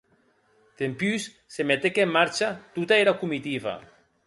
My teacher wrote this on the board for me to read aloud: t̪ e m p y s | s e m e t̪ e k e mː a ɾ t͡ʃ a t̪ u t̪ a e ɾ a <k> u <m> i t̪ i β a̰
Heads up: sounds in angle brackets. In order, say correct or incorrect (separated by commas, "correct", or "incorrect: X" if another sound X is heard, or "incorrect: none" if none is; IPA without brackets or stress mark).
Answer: correct, correct